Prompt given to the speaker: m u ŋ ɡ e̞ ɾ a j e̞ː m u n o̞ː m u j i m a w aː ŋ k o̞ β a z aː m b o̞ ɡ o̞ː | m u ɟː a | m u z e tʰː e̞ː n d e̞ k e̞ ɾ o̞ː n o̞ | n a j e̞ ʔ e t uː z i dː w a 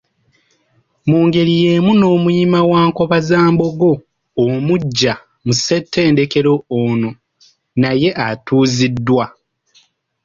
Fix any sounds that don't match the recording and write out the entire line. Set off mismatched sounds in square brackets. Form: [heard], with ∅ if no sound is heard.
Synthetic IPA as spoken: m [uː] ŋ ɡ e̞ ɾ [i] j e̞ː m u n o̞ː m u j i m a w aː ŋ k o̞ β a z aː m b o̞ ɡ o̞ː | m u ɟː a | m u [s] e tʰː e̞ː n d e̞ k e̞ ɾ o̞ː n o̞ | n a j e̞ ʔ [a] t uː z i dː w a